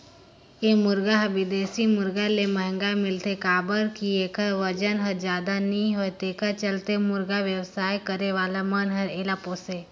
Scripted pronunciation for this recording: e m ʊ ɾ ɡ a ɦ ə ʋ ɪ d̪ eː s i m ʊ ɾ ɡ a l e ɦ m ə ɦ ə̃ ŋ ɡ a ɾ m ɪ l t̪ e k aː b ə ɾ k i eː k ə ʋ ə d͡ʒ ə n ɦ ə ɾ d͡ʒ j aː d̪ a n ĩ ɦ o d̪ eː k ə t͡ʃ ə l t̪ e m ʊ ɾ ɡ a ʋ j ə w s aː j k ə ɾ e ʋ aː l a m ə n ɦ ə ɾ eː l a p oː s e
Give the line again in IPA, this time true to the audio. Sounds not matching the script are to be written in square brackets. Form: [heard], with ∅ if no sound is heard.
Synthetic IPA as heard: e m ʊ ɾ ɡ a ɦ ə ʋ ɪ d̪ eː s i m ʊ ɾ ɡ a l e [∅] m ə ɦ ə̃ ŋ ɡ a [∅] m ɪ l t̪ e k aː b ə ɾ k i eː k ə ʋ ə d͡ʒ ə n ɦ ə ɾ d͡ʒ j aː d̪ a n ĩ ɦ o [t̪] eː k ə t͡ʃ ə l t̪ e m ʊ ɾ ɡ a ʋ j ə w s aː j k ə ɾ e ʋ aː l a m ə n ɦ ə ɾ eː l a p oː s e